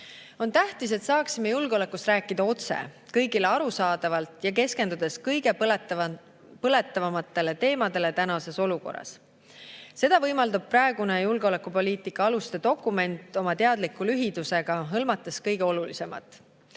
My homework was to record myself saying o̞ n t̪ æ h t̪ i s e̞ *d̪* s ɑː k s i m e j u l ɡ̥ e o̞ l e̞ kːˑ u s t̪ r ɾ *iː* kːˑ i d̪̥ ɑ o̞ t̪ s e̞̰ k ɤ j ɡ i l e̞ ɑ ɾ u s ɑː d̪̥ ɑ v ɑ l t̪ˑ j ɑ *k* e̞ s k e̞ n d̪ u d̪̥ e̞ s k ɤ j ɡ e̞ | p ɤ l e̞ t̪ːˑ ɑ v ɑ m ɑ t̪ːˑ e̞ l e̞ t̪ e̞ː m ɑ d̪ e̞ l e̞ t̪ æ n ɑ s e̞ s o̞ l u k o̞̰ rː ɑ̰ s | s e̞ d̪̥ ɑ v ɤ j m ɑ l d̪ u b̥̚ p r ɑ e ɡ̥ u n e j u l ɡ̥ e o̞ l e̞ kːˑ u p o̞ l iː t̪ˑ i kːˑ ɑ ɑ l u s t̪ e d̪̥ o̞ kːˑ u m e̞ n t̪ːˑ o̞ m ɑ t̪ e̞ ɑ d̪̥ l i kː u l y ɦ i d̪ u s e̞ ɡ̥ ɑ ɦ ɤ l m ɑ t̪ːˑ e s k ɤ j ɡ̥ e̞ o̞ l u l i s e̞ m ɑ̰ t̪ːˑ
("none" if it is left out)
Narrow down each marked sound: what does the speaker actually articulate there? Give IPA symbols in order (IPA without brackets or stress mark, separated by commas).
t̪, æː, k